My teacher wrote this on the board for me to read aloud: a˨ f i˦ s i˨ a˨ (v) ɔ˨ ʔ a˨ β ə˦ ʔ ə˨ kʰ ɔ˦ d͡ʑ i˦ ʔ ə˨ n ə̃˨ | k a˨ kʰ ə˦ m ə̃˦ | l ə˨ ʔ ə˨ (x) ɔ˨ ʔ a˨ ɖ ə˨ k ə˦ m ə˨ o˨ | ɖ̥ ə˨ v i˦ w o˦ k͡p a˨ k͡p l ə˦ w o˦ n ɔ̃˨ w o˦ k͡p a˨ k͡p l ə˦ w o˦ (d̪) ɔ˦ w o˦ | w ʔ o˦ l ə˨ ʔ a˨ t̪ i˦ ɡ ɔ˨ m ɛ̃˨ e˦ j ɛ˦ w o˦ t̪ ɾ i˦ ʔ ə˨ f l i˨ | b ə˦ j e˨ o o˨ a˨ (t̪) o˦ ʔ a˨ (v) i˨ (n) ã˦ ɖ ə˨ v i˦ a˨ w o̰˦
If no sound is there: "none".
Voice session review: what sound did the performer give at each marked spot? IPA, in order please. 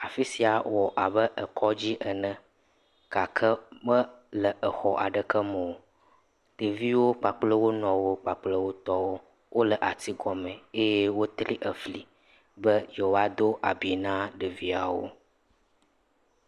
w, x, t̪, d̪, b, n

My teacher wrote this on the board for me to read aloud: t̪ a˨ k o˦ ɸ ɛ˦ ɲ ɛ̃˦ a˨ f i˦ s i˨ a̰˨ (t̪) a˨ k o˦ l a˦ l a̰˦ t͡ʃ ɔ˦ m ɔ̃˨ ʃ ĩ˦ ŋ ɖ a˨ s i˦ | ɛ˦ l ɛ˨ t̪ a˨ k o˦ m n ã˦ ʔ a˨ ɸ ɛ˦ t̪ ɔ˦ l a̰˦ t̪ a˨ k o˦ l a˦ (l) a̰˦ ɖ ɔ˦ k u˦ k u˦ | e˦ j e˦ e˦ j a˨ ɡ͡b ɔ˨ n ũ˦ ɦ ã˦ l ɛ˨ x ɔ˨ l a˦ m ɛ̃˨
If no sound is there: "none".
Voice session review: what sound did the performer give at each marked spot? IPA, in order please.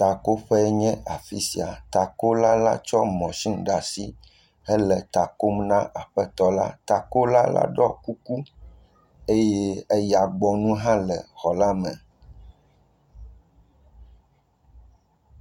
t̪, l

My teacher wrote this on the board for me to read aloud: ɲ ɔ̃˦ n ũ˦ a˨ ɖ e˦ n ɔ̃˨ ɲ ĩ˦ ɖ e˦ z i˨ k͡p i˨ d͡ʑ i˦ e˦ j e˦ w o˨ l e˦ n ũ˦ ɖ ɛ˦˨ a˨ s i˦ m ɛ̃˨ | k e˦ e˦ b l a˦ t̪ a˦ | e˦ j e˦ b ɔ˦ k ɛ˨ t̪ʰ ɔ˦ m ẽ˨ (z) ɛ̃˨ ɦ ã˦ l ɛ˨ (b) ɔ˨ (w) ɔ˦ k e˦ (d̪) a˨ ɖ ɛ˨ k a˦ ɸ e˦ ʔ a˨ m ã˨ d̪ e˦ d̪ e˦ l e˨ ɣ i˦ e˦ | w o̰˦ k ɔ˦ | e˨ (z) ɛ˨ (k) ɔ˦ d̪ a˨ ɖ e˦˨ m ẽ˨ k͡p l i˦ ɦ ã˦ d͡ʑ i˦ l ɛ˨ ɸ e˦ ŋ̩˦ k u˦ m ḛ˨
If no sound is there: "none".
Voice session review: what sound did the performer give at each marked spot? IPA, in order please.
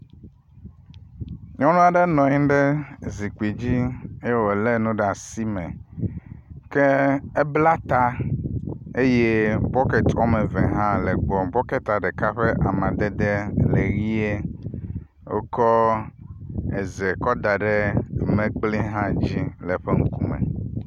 v, ɡ͡b, b, t̪, z, k

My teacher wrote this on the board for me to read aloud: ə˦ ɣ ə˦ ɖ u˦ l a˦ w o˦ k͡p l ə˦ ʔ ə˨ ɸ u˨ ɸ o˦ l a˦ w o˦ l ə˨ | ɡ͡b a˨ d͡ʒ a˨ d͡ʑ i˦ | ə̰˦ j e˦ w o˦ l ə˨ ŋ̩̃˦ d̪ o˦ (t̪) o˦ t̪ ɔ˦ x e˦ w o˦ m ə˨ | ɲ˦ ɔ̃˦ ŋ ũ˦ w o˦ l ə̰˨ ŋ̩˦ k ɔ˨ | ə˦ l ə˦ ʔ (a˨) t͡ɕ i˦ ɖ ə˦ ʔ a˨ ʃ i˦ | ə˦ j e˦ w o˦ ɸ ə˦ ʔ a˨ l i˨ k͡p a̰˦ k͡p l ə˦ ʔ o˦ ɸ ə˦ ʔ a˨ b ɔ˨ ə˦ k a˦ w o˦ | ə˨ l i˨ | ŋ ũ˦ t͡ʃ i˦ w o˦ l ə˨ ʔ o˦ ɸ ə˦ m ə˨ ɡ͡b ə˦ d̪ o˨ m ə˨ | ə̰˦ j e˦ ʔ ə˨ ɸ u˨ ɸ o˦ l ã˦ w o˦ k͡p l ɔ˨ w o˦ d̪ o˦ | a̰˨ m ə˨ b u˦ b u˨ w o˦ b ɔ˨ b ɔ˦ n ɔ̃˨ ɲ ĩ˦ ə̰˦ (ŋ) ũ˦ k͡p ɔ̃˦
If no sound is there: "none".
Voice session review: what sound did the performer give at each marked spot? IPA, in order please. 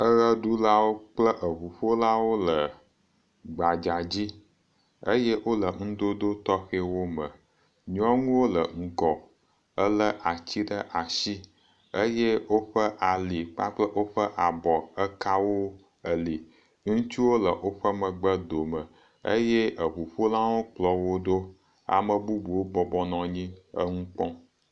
d̪, a˨, ŋ

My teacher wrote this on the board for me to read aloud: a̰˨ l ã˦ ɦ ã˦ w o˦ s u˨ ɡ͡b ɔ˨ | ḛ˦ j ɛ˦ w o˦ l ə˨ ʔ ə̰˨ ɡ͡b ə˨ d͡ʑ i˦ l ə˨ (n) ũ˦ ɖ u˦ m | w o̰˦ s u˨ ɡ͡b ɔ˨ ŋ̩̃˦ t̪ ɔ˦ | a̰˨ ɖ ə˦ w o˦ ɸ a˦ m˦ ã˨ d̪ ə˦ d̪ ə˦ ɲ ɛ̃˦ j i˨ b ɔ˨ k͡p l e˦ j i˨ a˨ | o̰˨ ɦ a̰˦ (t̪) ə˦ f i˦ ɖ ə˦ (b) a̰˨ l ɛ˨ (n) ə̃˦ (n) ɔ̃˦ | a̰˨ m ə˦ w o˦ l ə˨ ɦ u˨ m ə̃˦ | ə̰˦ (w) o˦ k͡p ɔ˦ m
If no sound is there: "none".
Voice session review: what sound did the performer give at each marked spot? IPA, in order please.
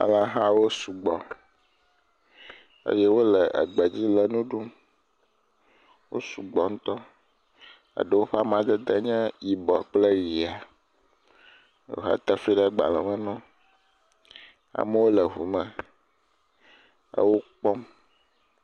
n, t̪, ɡ͡b, m, n, w

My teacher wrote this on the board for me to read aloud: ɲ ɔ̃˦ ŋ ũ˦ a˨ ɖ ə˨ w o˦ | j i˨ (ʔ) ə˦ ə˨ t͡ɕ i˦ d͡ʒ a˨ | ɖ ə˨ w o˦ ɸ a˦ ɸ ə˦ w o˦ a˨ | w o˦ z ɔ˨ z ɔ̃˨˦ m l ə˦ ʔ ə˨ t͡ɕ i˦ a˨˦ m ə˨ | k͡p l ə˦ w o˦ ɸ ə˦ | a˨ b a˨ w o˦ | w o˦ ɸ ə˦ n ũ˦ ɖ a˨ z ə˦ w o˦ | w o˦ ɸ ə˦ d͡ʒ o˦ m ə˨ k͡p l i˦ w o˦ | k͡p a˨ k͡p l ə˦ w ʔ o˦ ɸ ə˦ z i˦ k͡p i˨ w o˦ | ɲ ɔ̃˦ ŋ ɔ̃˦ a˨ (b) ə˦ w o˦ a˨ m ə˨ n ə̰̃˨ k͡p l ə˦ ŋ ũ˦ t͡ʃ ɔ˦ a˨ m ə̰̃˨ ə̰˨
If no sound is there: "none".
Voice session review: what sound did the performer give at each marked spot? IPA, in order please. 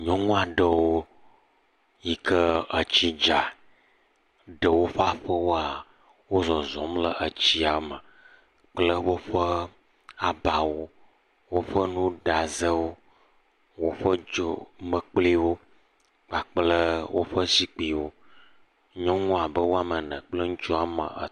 k, b

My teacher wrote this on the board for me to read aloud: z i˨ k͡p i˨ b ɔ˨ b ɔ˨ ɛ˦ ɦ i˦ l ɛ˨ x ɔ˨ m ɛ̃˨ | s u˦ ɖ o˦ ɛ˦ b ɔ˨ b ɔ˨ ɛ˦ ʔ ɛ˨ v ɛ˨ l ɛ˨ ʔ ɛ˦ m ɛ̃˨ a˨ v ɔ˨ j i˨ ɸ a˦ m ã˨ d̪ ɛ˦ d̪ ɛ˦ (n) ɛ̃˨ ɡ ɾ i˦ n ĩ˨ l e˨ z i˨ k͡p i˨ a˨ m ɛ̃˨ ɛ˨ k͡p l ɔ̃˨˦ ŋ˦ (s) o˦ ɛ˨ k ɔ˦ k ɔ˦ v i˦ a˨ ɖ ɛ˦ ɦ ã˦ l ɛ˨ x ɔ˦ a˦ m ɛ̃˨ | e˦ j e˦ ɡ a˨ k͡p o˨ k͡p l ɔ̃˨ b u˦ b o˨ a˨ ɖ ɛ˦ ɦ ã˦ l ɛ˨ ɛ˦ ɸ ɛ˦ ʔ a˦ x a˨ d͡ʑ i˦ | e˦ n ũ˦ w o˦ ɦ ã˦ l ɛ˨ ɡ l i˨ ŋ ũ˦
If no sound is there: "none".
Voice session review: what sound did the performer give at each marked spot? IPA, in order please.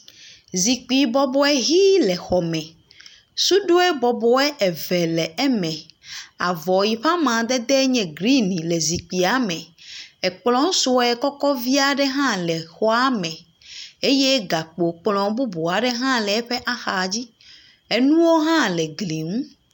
ɲ, s

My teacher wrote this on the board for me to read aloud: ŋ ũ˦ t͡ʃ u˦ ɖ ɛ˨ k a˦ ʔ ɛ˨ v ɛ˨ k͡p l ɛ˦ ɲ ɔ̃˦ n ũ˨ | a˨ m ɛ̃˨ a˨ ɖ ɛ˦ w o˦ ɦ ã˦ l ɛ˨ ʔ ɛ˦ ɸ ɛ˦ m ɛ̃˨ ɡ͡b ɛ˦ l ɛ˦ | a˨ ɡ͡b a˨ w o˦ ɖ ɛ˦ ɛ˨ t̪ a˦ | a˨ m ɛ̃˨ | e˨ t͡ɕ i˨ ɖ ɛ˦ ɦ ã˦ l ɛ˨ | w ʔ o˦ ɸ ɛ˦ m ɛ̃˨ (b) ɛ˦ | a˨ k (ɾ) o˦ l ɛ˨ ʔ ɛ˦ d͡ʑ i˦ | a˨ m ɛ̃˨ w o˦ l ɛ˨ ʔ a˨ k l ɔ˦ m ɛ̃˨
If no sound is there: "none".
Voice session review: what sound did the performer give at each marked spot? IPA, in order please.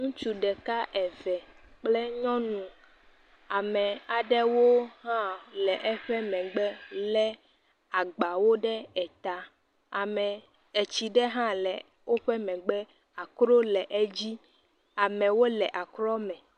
ɡ͡b, ɾ

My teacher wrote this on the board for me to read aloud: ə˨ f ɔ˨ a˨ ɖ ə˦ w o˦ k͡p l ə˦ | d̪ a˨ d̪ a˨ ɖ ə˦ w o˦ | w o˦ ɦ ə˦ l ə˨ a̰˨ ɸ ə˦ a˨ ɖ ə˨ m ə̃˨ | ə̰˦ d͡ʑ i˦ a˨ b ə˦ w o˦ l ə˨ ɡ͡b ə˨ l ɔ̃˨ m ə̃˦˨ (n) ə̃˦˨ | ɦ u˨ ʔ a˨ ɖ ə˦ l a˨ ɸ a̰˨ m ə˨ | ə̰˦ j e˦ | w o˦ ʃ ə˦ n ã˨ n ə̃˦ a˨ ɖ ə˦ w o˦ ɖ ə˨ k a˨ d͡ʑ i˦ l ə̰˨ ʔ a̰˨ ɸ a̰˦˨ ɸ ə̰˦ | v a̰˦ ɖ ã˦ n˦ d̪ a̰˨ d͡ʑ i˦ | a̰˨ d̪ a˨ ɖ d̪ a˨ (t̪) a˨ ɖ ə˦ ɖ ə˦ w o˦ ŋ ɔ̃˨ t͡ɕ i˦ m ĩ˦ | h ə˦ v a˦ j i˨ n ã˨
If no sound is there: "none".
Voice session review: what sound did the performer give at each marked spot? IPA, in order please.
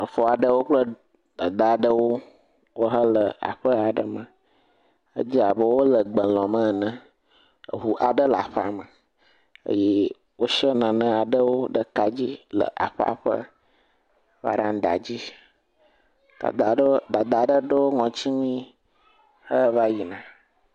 n, d̪

